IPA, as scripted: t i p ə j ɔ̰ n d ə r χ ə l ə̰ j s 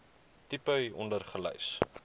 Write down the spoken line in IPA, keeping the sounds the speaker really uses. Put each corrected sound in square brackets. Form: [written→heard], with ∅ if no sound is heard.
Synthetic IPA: t i p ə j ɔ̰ n d ə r χ ə l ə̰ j s